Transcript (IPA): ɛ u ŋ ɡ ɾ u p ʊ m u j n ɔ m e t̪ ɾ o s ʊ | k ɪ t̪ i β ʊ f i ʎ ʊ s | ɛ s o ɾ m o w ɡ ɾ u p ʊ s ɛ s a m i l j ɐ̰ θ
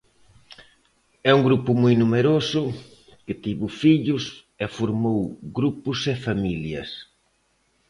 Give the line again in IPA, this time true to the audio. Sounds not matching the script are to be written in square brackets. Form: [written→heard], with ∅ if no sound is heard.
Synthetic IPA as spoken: ɛ u ŋ ɡ ɾ u p ʊ m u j n [ɔ→u] m e [t̪→∅] ɾ o s ʊ | k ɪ t̪ i β ʊ f i ʎ ʊ s | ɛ [s→f] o ɾ m o w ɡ ɾ u p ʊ s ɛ [s→f] a m i l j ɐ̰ [θ→s]